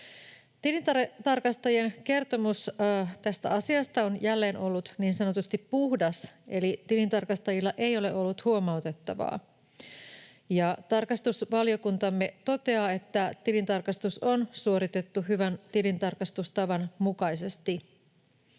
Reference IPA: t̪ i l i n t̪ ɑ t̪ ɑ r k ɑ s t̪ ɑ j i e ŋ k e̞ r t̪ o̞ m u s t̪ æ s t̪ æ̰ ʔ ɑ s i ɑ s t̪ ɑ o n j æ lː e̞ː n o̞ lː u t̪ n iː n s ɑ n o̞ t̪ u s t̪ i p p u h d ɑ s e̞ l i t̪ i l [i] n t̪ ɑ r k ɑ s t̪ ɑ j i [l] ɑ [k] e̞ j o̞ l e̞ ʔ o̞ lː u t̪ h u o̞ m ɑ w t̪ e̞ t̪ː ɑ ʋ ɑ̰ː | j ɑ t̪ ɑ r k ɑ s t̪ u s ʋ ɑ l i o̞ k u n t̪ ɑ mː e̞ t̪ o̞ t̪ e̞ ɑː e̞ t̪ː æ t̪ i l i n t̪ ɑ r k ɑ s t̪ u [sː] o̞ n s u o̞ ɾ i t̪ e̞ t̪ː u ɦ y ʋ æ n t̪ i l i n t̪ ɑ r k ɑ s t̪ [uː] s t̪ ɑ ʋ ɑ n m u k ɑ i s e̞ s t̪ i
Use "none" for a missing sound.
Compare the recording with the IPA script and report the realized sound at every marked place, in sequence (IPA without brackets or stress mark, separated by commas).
i, lː, ʔ, s, u